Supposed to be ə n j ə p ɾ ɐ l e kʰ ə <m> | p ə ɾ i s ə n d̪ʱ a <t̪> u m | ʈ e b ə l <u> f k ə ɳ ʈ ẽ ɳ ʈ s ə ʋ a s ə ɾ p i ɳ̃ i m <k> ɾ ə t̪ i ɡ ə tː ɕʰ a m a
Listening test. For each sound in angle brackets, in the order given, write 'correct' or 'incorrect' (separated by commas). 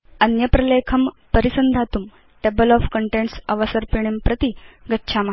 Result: correct, correct, incorrect, incorrect